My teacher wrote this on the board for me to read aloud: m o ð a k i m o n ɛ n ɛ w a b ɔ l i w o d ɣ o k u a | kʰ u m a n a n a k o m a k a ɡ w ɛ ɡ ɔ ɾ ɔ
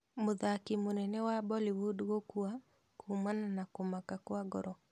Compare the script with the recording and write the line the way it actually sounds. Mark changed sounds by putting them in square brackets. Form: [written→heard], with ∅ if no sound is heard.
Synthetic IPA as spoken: m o ð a k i m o n ɛ n ɛ w a b ɔ l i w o d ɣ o k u a | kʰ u m a n a n a k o m a k a [ɡ→k] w [ɛ→a] ɡ ɔ ɾ ɔ